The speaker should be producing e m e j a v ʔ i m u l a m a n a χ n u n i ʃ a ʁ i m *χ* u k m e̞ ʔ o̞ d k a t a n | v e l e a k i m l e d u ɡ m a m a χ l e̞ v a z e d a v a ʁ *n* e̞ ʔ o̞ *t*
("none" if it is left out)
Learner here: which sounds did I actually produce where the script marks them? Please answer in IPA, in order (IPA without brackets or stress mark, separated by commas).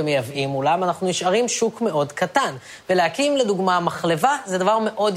ʃ, m, d